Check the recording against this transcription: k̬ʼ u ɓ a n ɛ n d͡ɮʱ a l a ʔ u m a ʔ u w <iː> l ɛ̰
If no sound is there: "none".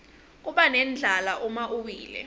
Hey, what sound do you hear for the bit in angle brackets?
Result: iː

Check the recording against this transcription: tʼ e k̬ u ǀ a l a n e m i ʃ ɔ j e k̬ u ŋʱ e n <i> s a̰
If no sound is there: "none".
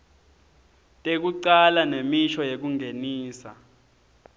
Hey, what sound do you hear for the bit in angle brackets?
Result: iː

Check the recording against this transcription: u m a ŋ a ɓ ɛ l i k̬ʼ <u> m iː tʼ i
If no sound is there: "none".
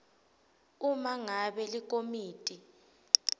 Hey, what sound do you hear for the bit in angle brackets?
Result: o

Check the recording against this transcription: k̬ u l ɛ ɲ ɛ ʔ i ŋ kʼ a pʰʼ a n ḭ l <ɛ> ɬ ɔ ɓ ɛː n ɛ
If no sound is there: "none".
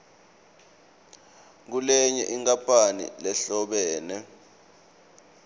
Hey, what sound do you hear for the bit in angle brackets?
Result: ɛ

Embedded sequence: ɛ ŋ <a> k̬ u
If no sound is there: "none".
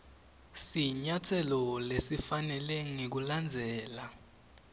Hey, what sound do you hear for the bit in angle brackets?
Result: e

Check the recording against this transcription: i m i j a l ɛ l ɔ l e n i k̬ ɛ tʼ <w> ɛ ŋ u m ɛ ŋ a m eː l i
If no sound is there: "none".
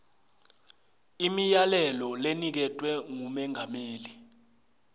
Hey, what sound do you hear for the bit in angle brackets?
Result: w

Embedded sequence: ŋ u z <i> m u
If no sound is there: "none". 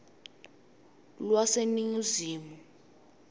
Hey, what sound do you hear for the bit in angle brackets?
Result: iː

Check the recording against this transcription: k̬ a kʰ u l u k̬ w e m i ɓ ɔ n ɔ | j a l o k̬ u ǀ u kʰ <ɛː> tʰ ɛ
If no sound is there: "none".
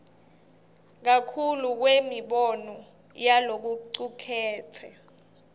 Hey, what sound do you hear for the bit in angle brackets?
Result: ɛː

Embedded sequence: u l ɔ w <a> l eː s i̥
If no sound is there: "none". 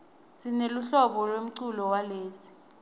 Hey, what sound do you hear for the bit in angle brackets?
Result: a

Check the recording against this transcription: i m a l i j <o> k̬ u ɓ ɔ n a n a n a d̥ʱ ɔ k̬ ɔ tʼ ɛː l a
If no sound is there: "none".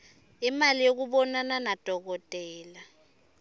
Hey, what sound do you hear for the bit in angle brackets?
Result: o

